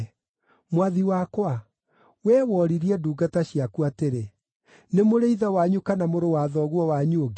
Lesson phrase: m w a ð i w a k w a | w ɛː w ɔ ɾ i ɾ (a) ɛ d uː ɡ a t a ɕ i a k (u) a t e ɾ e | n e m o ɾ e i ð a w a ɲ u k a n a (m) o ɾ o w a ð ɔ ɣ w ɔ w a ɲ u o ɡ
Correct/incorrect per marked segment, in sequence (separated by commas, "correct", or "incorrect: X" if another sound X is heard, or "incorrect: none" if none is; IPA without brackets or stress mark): incorrect: i, correct, correct